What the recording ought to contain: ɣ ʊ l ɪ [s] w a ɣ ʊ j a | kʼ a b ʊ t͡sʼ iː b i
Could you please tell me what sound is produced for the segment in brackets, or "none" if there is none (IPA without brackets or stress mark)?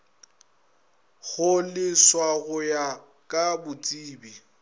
s